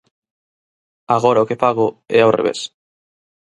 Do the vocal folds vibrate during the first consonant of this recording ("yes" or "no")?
yes